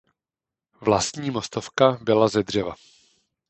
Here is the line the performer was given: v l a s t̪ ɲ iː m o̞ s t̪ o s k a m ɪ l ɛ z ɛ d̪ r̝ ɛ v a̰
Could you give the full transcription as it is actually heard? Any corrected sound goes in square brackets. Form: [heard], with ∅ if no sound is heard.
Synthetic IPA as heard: v l a s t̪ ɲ iː m o̞ s t̪ o [f] k a [b] ɪ l [a] z ɛ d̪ r̝ ɛ v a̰